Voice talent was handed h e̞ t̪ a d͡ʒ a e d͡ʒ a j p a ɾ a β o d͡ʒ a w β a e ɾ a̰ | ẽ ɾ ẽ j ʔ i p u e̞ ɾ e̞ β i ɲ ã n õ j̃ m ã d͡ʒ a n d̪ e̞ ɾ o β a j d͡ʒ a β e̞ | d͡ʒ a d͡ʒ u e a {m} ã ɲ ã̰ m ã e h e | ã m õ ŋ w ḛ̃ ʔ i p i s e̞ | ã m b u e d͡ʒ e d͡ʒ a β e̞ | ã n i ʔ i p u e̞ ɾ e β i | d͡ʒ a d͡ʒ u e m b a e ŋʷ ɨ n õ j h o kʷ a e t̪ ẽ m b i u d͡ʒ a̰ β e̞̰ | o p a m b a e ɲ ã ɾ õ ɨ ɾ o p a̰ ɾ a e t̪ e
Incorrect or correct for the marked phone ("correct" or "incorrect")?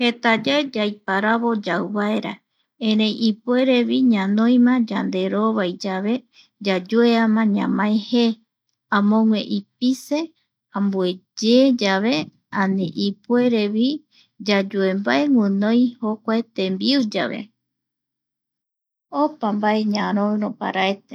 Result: correct